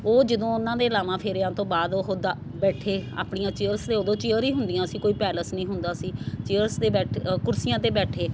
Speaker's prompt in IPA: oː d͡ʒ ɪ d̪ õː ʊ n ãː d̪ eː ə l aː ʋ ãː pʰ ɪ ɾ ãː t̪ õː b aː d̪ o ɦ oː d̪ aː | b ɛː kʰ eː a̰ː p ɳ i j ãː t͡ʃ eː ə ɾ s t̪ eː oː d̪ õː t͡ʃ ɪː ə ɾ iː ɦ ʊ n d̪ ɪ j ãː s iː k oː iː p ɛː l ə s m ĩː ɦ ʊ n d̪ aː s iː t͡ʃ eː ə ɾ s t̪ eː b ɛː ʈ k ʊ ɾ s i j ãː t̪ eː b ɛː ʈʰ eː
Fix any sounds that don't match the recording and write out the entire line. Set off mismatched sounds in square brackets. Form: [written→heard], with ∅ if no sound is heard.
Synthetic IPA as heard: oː d͡ʒ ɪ d̪ õː ʊ n ãː d̪ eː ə l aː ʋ ãː pʰ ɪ ɾ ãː t̪ õː b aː d̪ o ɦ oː d̪ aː | b ɛː [kʰ→ʈʰ] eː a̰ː p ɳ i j ãː t͡ʃ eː ə ɾ s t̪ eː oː d̪ õː t͡ʃ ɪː ə ɾ iː ɦ ʊ n d̪ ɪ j ãː s iː k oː iː p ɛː l ə s [m→n] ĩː ɦ ʊ n d̪ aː s iː t͡ʃ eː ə ɾ s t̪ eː b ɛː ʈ k ʊ ɾ s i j ãː t̪ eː b ɛː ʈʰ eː